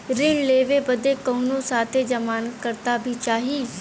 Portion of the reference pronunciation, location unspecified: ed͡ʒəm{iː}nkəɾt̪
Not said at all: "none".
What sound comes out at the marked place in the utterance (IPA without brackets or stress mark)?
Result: aː